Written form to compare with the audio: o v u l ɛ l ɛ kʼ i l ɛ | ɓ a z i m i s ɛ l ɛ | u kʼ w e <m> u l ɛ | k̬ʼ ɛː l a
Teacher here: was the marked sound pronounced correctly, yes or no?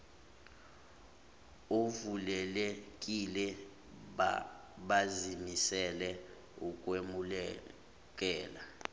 yes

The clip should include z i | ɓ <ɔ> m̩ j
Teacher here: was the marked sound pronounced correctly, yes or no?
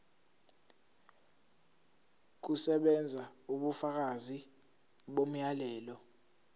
no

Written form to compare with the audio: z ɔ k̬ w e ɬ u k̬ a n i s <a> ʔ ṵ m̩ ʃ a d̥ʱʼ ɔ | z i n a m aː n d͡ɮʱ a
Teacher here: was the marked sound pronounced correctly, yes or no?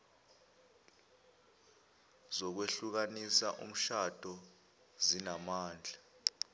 yes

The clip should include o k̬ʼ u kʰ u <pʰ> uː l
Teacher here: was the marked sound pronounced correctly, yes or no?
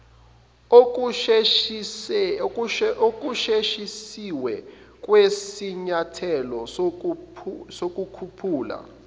yes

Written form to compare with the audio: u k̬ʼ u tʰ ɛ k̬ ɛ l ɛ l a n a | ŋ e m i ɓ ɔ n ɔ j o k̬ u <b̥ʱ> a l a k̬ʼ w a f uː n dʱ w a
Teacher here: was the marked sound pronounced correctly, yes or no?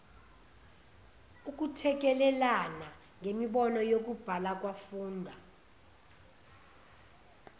yes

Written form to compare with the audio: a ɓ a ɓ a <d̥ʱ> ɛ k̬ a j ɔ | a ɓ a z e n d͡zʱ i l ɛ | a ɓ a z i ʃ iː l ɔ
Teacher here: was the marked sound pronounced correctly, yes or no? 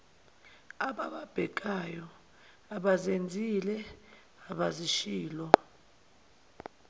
no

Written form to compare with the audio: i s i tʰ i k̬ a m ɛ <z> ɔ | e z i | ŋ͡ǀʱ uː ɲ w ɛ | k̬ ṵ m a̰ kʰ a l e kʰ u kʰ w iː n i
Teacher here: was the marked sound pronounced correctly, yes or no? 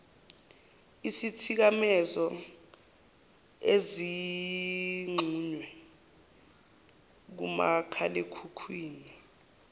yes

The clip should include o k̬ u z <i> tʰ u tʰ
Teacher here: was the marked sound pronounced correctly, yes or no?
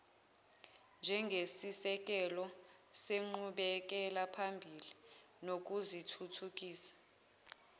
yes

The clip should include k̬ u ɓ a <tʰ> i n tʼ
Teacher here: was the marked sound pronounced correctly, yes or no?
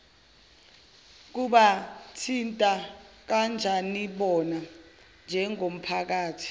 yes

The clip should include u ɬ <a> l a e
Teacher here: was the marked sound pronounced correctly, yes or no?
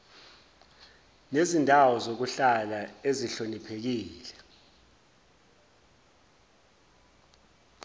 yes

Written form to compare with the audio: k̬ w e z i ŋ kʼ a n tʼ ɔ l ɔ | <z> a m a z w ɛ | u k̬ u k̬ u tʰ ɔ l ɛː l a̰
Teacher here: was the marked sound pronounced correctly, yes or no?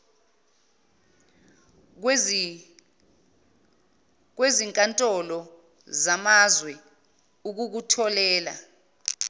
yes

